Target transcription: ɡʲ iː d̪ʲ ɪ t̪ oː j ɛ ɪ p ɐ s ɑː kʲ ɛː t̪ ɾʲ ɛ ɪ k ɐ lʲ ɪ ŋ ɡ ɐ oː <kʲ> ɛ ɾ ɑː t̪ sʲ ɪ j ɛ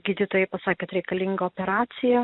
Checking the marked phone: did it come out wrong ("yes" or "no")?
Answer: yes